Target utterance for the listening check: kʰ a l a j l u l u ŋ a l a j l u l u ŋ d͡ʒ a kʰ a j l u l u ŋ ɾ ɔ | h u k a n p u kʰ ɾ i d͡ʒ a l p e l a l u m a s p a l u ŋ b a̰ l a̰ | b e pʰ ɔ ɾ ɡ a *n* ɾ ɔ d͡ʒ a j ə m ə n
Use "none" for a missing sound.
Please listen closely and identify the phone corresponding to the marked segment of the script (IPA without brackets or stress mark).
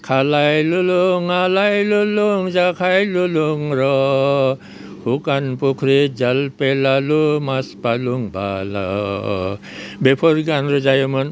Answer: n